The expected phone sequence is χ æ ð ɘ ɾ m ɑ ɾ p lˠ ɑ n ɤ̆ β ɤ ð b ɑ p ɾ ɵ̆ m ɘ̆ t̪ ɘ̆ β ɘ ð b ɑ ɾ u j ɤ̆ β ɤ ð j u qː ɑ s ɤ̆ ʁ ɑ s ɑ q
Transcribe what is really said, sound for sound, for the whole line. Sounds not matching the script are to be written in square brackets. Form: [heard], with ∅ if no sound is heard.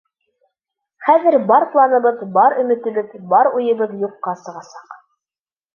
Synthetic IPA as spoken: χ æ ð ɘ ɾ [b] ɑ ɾ p lˠ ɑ n ɤ̆ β ɤ ð b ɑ [∅] ɾ ɵ̆ m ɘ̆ t̪ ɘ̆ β ɘ ð b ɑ ɾ u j ɤ̆ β ɤ ð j u qː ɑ s ɤ̆ ʁ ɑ s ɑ q